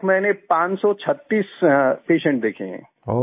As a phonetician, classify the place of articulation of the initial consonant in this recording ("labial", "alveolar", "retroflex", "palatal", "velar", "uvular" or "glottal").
labial